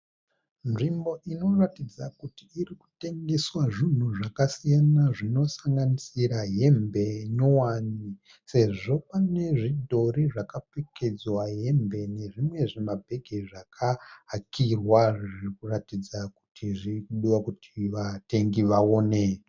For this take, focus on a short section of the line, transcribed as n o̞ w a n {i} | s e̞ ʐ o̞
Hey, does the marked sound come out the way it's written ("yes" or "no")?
yes